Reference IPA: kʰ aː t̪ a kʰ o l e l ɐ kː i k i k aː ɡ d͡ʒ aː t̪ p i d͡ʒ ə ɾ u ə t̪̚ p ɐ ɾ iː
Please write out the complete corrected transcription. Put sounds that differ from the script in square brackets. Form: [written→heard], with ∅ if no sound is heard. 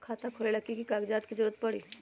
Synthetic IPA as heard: kʰ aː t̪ a kʰ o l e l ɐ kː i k i k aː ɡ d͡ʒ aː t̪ [p→k] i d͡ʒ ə ɾ u ə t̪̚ p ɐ [ɾ→ɽ] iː

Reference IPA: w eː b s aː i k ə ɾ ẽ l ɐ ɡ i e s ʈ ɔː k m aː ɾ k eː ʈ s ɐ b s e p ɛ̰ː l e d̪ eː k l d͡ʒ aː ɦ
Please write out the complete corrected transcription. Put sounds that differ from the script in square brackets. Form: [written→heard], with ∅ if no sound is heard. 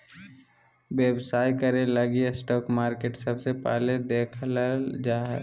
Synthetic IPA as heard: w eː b s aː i k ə ɾ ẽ l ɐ ɡ i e s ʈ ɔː k m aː ɾ k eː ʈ s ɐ b s e p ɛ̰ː l e d̪ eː [k→kʰ] l d͡ʒ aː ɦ

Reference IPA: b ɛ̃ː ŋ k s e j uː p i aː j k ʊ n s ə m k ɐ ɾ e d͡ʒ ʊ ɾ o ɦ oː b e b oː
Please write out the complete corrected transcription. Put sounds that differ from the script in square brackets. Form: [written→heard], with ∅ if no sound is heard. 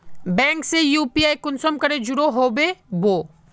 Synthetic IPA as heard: b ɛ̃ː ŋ k s e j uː p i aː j k ʊ n s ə m k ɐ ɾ e d͡ʒ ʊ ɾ o ɦ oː b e b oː

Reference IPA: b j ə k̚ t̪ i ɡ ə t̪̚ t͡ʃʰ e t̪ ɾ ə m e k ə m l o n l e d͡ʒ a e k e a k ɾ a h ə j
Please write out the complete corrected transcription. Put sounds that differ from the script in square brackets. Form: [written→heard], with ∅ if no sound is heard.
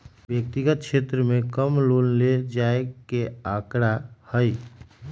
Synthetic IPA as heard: b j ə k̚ t̪ i ɡ ə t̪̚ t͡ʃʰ e t̪ ɾ ə m e k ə m l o n l e d͡ʒ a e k e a k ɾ a h ə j

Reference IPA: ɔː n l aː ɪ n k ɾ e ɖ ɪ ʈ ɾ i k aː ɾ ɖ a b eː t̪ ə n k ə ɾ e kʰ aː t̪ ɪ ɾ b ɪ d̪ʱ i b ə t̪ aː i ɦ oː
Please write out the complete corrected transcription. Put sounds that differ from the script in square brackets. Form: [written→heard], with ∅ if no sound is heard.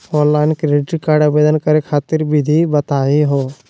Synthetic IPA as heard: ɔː n l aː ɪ n k ɾ e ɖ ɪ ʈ ɾ i k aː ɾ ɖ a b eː [t̪→d̪] ə n k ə ɾ e kʰ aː t̪ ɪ ɾ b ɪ d̪ʱ i b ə t̪ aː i ɦ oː

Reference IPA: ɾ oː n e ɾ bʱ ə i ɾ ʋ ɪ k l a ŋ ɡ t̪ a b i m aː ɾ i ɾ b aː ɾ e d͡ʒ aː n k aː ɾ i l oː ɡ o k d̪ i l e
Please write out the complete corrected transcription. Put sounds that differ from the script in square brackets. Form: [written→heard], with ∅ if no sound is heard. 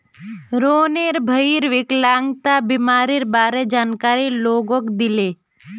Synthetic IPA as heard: ɾ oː n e ɾ bʱ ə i ɾ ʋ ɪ k l a ŋ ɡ t̪ a b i m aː ɾ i ɾ b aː ɾ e d͡ʒ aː n k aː ɾ i l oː ɡ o k d̪ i l e

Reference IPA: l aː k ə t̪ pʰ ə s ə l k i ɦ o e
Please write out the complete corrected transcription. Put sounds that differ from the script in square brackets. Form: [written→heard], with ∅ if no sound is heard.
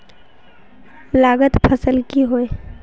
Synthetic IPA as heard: l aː [k→ɡ] ə t̪ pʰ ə s ə l k i ɦ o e

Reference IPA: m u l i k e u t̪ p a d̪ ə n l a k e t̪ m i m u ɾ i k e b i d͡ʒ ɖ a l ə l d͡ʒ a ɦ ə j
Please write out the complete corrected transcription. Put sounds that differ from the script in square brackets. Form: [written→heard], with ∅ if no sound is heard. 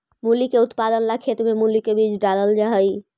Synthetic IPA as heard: m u l i k e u t̪ p a d̪ ə n l a [k→kʰ] e t̪ m [i→e] m u [ɾ→l] i k e b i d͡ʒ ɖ a l ə l d͡ʒ a ɦ ə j

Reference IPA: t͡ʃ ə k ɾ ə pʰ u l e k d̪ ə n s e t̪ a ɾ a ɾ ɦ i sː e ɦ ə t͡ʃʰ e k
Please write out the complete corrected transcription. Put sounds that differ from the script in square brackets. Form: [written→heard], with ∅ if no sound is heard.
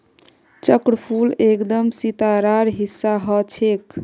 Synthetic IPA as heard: t͡ʃ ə k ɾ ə pʰ u l e k d̪ ə [n→m] s [e→i] t̪ a ɾ a ɾ ɦ i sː [e→a] ɦ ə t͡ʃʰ e k

